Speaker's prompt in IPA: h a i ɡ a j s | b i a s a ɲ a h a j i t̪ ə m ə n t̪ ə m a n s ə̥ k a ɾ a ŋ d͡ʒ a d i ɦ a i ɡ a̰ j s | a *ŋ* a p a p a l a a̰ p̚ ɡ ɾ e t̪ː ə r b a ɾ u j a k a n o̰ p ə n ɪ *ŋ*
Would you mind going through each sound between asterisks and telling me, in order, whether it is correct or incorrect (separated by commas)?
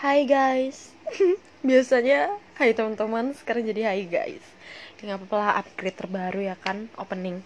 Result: correct, correct